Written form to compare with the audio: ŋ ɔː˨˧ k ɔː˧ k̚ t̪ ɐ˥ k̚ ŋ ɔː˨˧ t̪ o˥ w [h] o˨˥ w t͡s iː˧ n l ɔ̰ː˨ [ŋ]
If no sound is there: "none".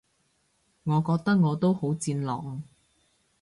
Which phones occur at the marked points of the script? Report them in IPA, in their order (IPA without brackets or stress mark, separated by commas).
h, ŋ